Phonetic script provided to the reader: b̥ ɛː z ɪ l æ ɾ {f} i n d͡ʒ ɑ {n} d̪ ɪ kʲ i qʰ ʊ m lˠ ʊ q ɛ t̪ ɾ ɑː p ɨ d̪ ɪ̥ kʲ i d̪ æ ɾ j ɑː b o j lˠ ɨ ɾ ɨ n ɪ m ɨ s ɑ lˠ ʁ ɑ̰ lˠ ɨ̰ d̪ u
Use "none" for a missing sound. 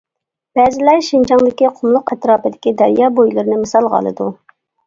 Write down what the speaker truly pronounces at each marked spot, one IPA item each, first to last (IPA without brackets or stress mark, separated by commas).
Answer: ʃ, ŋ